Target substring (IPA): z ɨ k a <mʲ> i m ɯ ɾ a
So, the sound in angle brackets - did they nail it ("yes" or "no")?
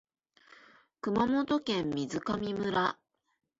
yes